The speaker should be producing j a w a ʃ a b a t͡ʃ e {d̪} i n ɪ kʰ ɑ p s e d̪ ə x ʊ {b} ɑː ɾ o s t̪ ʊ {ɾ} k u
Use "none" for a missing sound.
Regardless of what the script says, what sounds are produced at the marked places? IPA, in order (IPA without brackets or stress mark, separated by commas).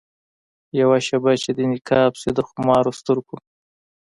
d̪, m, ɾ